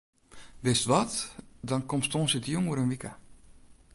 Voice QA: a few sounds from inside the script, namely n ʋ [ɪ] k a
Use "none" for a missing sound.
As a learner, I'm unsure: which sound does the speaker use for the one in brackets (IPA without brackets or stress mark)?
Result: i